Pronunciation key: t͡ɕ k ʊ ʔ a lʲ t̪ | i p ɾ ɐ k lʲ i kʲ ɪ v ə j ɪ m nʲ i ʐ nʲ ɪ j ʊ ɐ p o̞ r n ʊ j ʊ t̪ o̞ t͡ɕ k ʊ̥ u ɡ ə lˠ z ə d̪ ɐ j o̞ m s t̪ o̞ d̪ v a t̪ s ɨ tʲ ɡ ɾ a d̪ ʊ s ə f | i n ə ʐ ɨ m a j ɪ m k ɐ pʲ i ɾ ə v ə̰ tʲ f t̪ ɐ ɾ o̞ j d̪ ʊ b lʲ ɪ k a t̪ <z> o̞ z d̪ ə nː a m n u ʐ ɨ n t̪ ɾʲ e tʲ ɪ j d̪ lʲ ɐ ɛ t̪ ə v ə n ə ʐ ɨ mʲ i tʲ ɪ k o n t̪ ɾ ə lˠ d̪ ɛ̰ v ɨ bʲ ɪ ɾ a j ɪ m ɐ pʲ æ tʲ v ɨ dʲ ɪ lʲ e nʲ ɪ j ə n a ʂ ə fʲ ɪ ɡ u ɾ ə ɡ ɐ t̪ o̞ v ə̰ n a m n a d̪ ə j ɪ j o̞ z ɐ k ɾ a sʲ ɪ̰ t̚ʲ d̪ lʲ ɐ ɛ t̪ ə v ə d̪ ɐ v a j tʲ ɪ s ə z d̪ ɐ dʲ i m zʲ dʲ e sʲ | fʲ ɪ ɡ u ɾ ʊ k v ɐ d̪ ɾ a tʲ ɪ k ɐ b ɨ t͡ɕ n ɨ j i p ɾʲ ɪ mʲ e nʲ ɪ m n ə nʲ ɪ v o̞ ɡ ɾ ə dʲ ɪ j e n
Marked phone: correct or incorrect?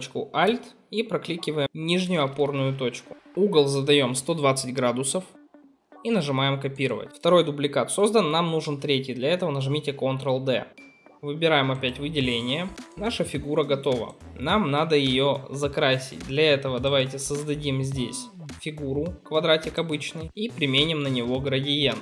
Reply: incorrect